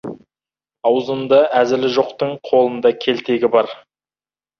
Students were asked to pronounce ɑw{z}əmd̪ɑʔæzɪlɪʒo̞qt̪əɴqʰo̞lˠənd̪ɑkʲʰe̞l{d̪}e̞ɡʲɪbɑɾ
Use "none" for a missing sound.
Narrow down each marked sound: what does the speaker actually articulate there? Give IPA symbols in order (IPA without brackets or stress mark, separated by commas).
z, t̪